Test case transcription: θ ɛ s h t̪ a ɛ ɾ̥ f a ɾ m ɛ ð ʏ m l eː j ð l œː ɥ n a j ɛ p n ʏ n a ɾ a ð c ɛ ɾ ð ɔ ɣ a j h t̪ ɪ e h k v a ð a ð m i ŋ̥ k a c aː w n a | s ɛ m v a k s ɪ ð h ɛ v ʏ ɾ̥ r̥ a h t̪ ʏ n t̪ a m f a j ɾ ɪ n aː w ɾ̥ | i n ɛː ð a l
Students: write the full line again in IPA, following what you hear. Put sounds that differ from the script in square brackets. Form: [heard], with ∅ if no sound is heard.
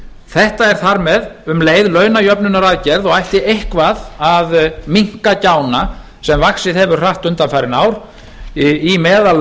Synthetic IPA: θ ɛ [∅] h t̪ a ɛ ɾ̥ [θ] a ɾ m ɛ ð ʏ m l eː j ð l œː ɥ n a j [œ] p n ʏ n a ɾ a ð c ɛ ɾ ð ɔ ɣ a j h t̪ ɪ e h k v a ð a ð m i ŋ̥ k a c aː w n a | s ɛ m v a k s ɪ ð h ɛ v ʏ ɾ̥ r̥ a h t̪ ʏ n t̪ a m f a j ɾ ɪ n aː w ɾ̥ | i [m] ɛː ð a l